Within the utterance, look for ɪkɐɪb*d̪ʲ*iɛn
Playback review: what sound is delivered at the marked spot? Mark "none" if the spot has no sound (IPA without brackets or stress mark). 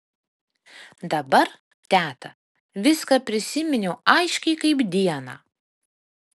d̪ʲ